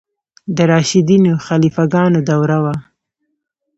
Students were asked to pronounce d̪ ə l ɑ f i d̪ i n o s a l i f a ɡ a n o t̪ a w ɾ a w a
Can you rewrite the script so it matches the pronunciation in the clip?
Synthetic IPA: d̪ ə ɾ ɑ ʃ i d̪ i n o x a l i f a ɡ ɑ n o d̪ a w ɾ a w a